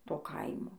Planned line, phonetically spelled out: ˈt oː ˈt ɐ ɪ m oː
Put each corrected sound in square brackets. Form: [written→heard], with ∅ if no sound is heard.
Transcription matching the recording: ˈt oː [ˈt→ˈk] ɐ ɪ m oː